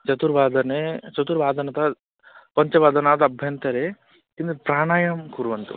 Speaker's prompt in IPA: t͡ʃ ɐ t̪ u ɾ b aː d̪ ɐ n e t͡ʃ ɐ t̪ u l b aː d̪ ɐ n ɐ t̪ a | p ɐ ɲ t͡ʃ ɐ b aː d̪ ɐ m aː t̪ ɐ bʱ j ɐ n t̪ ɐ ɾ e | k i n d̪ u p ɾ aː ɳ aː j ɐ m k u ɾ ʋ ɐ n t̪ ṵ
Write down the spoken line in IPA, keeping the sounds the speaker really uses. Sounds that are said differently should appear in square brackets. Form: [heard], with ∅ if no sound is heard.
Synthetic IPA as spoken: t͡ʃ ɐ t̪ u ɾ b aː d̪ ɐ n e t͡ʃ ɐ t̪ u [ɾ] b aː d̪ ɐ n ɐ t̪ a | p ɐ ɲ t͡ʃ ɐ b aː d̪ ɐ [n] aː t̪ ɐ bʱ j ɐ n t̪ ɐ ɾ e | k i n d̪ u p ɾ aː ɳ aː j ɐ m k u ɾ ʋ ɐ n t̪ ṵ

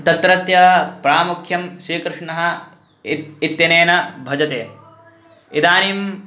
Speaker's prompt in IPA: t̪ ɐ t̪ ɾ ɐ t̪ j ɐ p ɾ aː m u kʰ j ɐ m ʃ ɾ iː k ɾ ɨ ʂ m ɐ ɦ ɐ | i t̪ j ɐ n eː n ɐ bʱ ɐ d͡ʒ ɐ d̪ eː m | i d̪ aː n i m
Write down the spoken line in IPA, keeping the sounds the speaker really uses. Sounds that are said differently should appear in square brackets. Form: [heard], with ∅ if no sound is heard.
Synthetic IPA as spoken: t̪ ɐ t̪ ɾ ɐ t̪ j ɐ p ɾ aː m u kʰ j ɐ m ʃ ɾ iː k ɾ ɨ ʂ [ɳ] ɐ ɦ ɐ | i t̪ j ɐ n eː n ɐ bʱ ɐ d͡ʒ ɐ [t̪] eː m | i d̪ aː n i m

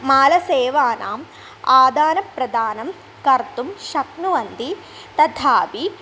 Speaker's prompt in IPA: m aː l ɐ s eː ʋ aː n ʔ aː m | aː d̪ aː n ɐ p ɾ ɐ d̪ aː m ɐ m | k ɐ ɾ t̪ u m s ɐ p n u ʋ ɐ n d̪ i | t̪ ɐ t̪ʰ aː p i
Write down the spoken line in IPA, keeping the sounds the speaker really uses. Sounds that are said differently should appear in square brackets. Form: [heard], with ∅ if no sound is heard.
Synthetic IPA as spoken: m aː l ɐ s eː ʋ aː n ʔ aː m | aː d̪ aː n ɐ p ɾ ɐ d̪ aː [n] ɐ m | k ɐ ɾ t̪ u m [ʃ] ɐ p n u ʋ ɐ n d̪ i | t̪ ɐ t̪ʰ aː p i

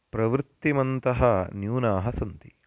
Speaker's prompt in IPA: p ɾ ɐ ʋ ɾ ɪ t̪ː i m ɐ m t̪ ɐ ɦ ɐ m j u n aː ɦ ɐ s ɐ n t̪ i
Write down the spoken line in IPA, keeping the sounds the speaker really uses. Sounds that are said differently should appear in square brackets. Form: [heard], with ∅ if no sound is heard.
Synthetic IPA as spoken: p ɾ ɐ ʋ ɾ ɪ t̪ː i m ɐ [n] t̪ ɐ ɦ ɐ [n] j [uː] n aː ɦ ɐ s ɐ n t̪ i

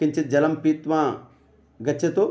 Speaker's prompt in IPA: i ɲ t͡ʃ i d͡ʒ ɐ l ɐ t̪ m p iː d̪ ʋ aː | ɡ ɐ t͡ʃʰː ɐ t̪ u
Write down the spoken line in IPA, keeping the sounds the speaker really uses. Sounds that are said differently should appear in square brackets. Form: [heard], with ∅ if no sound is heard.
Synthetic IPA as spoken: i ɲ t͡ʃ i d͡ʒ ɐ l ɐ [∅] m p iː [t̪] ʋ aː | ɡ ɐ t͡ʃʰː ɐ t̪ u

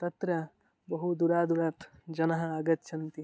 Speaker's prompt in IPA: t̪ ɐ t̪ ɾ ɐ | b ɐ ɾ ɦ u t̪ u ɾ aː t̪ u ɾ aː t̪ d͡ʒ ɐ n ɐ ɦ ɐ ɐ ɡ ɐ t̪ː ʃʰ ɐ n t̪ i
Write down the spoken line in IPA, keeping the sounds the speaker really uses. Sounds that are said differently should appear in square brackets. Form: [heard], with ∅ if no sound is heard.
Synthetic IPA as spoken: t̪ ɐ t̪ ɾ ɐ | b ɐ [∅] ɦ u [d̪] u ɾ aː [d̪] u ɾ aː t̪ d͡ʒ ɐ n ɐ ɦ ɐ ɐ ɡ ɐ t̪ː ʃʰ ɐ n t̪ i

